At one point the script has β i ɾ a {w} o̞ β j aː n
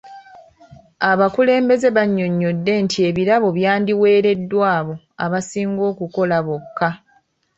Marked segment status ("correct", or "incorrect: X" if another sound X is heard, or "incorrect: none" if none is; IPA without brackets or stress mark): incorrect: β